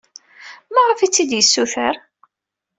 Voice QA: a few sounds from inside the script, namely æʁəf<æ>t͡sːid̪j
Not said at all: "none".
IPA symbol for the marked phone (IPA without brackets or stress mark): i